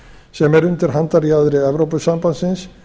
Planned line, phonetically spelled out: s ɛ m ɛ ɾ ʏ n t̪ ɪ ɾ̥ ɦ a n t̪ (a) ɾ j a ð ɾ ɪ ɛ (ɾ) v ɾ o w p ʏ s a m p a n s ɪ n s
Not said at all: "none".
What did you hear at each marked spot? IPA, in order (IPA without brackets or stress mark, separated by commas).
a, none